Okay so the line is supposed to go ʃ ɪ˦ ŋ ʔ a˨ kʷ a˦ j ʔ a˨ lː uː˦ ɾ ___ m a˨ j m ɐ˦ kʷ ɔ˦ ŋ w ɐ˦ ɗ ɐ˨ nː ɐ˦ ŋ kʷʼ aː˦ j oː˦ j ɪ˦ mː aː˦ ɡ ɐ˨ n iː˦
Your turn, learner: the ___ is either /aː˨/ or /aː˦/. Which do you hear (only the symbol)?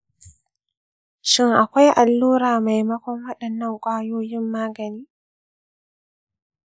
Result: aː˨